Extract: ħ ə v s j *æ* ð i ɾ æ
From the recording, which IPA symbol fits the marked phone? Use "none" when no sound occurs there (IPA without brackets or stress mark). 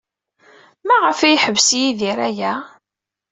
i